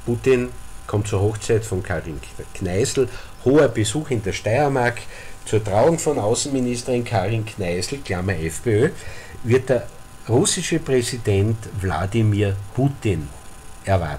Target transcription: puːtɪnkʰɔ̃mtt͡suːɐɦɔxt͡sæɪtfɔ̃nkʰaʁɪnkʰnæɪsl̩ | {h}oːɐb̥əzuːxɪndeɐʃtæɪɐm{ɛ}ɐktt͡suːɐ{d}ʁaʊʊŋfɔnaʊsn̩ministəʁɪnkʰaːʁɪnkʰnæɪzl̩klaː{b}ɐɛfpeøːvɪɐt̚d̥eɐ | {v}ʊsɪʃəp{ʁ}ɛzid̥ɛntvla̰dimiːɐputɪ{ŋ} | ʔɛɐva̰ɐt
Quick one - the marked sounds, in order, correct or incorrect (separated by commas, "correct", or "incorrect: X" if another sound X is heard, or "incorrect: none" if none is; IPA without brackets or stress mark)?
correct, incorrect: a, incorrect: t, incorrect: m, incorrect: ʁ, correct, incorrect: n